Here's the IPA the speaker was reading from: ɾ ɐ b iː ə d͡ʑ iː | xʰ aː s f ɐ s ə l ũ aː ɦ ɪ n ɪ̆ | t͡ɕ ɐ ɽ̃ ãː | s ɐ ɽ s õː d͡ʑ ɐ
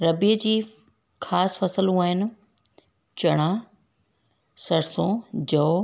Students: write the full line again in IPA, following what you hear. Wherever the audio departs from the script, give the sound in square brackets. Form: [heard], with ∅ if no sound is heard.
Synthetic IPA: ɾ ɐ b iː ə d͡ʑ iː | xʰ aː s f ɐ s ə l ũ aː ɦ ɪ n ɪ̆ | t͡ɕ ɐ ɽ̃ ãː | s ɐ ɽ s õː d͡ʑ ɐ